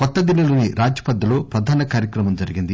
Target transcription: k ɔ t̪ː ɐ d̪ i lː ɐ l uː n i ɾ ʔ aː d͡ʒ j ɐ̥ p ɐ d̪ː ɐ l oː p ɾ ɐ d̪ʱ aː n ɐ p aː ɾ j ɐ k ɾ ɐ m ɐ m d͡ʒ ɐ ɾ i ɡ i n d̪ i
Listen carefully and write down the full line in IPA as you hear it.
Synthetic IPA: k ɔ t̪ː ɐ d̪ i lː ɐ l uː n i ɾ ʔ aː d͡ʒ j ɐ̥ p ɐ d̪ː ɐ l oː p ɾ ɐ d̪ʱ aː n ɐ k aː ɾ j ɐ k ɾ ɐ m ɐ m d͡ʒ ɐ ɾ i ɡ i n d̪ i